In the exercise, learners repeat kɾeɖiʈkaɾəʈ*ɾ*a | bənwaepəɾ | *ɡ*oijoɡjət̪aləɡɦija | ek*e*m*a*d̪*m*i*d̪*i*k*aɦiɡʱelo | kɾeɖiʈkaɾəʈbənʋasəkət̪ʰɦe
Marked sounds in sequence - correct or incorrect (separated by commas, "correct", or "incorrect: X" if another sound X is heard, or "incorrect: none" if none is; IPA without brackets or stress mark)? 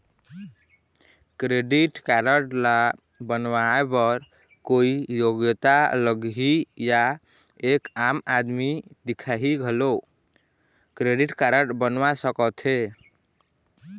incorrect: l, incorrect: k, incorrect: a, correct, correct, correct, incorrect: kʰ